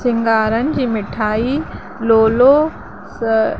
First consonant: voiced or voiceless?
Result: voiceless